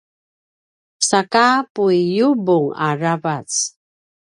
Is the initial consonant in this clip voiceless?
yes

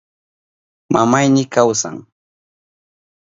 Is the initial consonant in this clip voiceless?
no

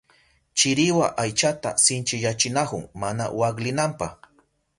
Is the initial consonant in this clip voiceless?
yes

